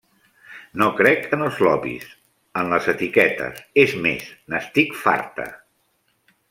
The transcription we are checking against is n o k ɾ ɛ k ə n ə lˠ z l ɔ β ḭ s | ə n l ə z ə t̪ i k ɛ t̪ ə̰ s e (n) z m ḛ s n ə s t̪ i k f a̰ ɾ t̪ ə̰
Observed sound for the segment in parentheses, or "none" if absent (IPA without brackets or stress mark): none